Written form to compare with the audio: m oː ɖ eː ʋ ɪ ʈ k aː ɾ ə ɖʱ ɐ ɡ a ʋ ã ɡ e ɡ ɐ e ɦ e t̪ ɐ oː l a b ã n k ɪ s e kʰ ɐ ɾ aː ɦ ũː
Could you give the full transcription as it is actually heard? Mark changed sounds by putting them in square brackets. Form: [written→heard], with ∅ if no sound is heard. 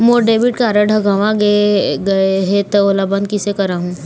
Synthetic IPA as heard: m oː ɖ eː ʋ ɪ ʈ k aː ɾ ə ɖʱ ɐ ɡ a ʋ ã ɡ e ɡ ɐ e ɦ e t̪ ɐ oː l a b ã n k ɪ s e [kʰ→k] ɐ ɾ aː ɦ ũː

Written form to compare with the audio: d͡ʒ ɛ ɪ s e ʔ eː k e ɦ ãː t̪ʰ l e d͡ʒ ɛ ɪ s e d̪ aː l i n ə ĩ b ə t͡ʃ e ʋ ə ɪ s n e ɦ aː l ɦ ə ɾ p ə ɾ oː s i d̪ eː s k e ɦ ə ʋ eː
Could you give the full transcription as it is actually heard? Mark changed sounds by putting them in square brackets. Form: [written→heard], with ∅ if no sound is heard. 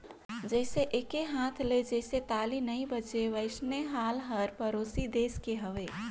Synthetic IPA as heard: d͡ʒ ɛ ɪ s e ʔ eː k e ɦ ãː t̪ʰ l e d͡ʒ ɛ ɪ s e [d̪→t̪] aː l i n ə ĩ b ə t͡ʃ e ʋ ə ɪ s n e ɦ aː l ɦ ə ɾ p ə ɾ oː s i d̪ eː s k e ɦ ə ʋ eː

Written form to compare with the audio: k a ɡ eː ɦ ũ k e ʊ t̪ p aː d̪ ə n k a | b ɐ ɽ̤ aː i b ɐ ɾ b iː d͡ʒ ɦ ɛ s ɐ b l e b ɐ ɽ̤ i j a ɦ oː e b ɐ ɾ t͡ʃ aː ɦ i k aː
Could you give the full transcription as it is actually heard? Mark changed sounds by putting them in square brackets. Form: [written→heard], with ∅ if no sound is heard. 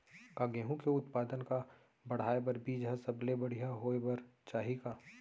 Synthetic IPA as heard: k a ɡ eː ɦ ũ k e ʊ t̪ p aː d̪ ə n k a | b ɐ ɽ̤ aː [i→e] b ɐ ɾ b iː d͡ʒ ɦ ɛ s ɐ b l e b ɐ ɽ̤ i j a ɦ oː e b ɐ ɾ t͡ʃ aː ɦ i k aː

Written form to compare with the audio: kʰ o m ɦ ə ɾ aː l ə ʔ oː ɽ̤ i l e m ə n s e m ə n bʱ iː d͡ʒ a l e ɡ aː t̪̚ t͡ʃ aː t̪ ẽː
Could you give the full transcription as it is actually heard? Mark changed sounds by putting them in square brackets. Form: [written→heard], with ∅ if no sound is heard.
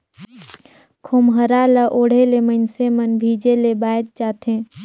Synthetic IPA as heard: kʰ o m ɦ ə ɾ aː l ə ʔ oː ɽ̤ [i→e] l e m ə n s e m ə n bʱ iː d͡ʒ [a→e] l e [ɡ→b] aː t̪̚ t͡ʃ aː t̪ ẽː

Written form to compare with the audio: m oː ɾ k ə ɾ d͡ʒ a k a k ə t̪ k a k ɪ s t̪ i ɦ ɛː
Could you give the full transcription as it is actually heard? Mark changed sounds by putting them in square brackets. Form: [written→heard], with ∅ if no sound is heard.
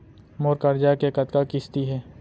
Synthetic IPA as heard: m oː ɾ k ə ɾ d͡ʒ a k [a→e] k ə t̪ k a k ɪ s t̪ i ɦ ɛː

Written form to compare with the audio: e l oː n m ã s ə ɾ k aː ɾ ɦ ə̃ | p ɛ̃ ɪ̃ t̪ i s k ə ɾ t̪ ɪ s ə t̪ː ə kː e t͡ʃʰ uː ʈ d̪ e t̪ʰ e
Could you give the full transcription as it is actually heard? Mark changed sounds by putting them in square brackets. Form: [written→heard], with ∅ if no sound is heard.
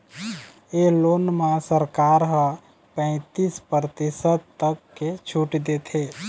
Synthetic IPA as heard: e l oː n m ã s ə ɾ k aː ɾ ɦ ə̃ | p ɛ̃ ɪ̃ t̪ i s [k→p] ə ɾ t̪ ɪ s ə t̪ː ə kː e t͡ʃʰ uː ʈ d̪ e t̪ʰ e

